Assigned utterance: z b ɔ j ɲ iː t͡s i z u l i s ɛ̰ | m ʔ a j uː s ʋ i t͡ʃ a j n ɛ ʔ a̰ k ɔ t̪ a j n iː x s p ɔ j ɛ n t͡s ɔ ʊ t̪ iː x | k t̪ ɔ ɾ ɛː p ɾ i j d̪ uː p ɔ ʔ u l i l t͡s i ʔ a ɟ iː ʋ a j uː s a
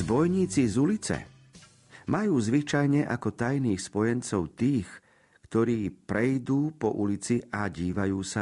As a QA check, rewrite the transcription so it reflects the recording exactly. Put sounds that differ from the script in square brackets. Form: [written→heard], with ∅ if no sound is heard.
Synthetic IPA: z b ɔ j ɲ iː t͡s i z u l i [s→t͡s] ɛ̰ | m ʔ a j uː [s→z] ʋ i t͡ʃ a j [n→ɲ] ɛ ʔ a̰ k ɔ t̪ a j n iː x s p ɔ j ɛ n t͡s ɔ ʊ t̪ iː x | k t̪ ɔ ɾ [ɛː→iː] p ɾ [i→ɛ] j d̪ uː p ɔ ʔ u l i [l→∅] t͡s i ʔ a ɟ iː ʋ a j uː s a